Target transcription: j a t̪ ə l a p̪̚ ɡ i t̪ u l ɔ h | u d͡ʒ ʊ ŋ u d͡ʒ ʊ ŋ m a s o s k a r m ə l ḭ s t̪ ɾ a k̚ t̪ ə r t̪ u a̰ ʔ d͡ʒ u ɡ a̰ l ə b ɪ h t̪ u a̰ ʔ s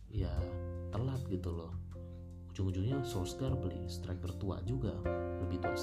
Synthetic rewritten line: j a t̪ ə l a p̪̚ ɡ i t̪ u l ɔ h | u d͡ʒ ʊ ŋ u d͡ʒ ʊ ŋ ɲ a s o s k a r b ə l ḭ s t̪ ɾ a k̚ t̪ ə r t̪ u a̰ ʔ d͡ʒ u ɡ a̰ l ə b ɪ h t̪ u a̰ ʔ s